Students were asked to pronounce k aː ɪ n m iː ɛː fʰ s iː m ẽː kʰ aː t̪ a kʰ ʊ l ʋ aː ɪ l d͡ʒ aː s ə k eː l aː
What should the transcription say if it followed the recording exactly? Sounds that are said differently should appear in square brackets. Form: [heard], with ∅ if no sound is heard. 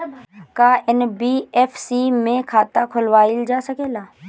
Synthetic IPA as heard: k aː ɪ n [b] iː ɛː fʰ s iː m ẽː kʰ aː t̪ a kʰ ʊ l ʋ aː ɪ l d͡ʒ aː s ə k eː l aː